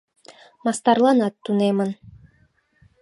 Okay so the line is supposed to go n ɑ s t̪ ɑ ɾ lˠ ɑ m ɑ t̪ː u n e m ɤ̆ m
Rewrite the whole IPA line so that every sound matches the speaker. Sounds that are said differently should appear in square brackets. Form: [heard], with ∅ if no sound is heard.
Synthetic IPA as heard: [m] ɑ s t̪ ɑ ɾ lˠ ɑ [n] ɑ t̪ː u n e m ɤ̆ [n]